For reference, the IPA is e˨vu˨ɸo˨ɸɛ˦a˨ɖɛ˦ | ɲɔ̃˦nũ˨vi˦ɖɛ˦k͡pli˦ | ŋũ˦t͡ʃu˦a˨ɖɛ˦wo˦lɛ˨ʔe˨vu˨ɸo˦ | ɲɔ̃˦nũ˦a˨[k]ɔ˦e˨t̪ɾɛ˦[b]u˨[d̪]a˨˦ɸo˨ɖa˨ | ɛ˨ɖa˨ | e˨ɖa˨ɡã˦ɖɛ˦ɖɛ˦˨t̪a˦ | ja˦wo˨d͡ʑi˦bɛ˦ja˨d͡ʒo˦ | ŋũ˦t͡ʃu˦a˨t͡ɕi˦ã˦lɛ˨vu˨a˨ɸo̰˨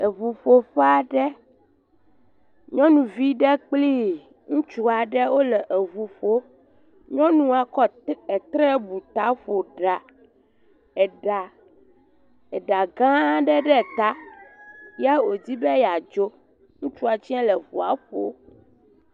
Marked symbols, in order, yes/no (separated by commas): yes, yes, no